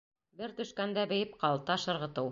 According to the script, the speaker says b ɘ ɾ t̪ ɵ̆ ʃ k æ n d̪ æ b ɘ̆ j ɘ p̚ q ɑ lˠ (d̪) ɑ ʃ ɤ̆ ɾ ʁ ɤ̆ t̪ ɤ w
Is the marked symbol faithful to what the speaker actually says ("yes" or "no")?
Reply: no